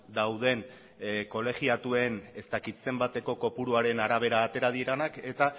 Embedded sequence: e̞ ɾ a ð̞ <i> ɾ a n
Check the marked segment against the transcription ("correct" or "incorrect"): correct